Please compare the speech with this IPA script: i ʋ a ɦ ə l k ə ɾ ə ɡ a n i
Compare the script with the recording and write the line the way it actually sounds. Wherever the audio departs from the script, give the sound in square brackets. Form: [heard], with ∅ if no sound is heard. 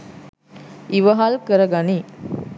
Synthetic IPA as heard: i ʋ [ə] ɦ [a] l k ə ɾ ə ɡ a n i